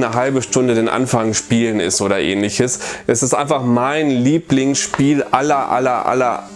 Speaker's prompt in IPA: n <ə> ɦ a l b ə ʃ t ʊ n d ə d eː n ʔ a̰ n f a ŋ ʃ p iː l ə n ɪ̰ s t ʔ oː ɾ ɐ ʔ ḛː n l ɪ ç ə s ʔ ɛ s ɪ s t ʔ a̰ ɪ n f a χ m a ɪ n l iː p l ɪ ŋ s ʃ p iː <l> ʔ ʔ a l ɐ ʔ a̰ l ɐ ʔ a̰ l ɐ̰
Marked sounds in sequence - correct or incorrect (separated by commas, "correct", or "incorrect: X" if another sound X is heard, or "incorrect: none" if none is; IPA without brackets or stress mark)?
correct, correct